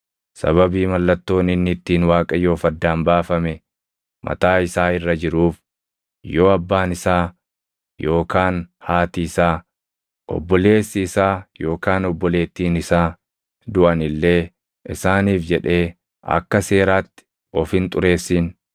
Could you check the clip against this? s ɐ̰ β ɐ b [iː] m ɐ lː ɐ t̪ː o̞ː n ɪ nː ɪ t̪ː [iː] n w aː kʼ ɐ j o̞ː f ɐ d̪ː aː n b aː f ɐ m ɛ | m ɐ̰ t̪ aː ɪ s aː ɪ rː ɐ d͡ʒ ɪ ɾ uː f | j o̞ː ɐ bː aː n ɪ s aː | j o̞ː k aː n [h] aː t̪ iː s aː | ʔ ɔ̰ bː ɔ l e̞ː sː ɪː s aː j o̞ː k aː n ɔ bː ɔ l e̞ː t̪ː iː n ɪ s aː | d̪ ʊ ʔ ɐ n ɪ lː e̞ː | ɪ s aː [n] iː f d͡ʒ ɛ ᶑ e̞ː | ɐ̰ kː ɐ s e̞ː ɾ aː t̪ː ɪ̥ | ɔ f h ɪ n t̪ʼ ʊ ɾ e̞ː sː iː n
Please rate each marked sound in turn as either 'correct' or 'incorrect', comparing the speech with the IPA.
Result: correct, correct, correct, correct

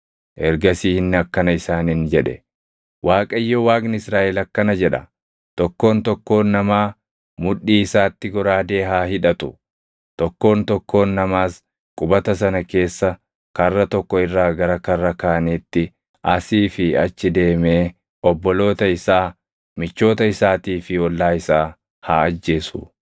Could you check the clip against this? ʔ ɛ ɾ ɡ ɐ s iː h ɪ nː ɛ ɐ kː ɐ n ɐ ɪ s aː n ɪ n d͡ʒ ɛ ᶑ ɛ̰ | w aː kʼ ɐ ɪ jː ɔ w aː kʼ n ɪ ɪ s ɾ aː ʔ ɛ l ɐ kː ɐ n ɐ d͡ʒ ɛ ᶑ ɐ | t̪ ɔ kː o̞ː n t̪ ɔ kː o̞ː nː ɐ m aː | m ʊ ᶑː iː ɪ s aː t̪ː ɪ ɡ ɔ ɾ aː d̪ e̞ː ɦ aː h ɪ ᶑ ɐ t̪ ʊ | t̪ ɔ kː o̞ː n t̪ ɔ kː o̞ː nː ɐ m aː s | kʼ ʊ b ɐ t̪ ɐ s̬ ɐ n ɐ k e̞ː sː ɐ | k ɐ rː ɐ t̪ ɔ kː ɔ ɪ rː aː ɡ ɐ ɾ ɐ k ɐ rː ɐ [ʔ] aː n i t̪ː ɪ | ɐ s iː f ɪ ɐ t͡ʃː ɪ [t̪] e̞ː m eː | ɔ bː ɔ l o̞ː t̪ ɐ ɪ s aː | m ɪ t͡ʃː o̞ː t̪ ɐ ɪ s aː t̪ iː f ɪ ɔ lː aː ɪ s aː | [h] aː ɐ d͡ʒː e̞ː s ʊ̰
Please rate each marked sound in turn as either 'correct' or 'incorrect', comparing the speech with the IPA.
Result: incorrect, incorrect, correct

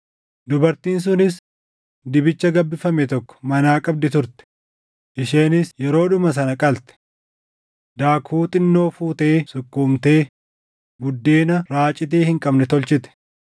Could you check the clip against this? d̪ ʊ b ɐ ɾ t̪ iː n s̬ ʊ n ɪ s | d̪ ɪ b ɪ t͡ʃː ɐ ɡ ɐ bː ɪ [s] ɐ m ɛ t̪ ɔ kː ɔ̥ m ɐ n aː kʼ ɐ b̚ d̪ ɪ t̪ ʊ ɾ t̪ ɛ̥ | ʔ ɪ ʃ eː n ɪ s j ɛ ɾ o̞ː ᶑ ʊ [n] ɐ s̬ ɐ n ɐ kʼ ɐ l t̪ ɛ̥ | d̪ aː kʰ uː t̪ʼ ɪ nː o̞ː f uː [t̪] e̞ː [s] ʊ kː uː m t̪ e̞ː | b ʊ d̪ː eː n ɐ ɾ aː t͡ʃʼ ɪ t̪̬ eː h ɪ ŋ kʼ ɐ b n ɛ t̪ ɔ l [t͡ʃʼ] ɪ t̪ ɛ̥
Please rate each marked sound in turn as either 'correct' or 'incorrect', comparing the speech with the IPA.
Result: incorrect, incorrect, correct, correct, incorrect

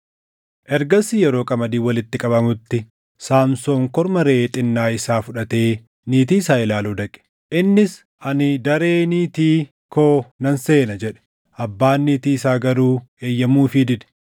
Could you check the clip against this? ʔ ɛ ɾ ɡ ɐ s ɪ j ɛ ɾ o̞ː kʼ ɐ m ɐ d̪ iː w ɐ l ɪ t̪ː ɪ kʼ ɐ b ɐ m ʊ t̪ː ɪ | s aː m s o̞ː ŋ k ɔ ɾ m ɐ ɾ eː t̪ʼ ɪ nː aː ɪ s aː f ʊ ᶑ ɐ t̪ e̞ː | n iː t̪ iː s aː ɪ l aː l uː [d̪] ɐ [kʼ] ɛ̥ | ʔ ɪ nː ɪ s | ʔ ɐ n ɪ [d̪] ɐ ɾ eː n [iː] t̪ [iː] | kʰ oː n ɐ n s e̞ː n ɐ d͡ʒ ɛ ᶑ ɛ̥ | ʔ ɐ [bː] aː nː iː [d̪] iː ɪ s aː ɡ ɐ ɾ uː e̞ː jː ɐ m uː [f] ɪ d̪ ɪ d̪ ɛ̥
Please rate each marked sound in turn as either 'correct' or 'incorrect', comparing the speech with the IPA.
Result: correct, correct, correct, correct, correct, correct, incorrect, correct

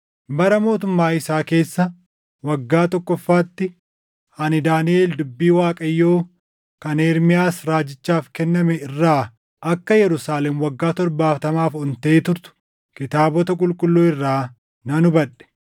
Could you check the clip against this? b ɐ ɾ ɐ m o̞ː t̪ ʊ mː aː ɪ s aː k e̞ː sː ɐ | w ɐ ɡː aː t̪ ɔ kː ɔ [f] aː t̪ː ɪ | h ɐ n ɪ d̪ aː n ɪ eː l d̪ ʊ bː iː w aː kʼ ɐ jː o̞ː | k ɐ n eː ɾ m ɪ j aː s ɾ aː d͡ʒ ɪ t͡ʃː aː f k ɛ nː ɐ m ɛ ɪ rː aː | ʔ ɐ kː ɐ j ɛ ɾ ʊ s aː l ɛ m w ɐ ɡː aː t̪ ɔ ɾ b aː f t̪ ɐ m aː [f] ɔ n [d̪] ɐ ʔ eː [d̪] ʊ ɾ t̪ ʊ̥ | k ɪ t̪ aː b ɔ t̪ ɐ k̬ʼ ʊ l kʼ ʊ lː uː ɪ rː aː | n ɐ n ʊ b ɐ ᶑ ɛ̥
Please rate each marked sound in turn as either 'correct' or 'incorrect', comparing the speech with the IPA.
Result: incorrect, correct, incorrect, incorrect

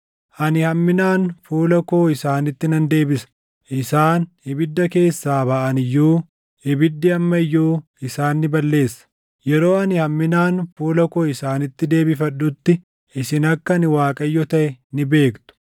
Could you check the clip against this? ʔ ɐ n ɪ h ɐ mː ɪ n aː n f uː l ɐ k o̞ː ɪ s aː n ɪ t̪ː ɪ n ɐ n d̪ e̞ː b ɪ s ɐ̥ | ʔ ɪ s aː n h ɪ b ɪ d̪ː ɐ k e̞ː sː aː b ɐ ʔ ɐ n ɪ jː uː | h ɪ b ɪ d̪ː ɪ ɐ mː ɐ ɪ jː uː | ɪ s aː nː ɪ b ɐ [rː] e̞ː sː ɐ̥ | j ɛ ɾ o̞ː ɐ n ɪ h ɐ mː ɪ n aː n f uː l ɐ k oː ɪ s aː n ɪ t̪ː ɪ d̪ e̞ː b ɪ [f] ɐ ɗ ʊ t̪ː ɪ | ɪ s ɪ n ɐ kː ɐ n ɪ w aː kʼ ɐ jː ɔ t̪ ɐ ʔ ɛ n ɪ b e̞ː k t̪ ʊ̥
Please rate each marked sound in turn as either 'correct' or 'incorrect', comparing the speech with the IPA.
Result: incorrect, correct

